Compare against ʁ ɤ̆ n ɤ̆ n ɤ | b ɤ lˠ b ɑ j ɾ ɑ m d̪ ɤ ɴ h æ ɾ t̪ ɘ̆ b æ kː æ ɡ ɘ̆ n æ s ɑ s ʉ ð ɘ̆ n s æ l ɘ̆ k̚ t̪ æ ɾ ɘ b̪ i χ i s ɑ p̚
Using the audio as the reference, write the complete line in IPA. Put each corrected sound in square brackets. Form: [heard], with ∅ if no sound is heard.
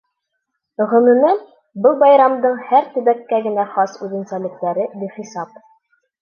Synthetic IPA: ʁ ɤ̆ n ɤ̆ n ɤ | b ɤ lˠ b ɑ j ɾ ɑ m d̪ ɤ ɴ h æ ɾ t̪ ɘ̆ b æ kː æ ɡ ɘ̆ n æ [χ] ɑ s ʉ ð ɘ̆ n s æ l ɘ̆ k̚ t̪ æ ɾ ɘ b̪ i χ i s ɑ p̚